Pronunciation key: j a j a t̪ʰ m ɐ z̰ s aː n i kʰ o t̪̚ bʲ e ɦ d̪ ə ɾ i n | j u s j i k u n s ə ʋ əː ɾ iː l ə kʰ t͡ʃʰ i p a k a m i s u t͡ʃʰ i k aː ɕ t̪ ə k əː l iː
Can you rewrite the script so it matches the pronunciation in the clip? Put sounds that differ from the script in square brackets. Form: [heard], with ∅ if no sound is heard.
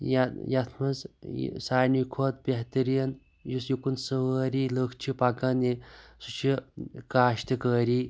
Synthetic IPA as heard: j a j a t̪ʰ m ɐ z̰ s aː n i kʰ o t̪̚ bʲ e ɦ [t̪] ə ɾ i n | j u s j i k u n s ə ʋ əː ɾ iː l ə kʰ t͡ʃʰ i p a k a [n] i s u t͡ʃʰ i k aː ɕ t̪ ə k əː [ɾ] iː